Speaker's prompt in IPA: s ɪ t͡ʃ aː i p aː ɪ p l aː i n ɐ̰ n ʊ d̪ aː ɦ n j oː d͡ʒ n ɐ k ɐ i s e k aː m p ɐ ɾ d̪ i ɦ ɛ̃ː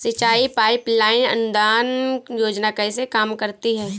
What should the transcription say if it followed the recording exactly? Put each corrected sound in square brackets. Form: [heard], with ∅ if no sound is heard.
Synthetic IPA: s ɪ t͡ʃ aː i p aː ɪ p l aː [ɪ] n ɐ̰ n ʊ d̪ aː [∅] n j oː d͡ʒ n [a] k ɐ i s e k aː m [k] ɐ ɾ [t̪] i ɦ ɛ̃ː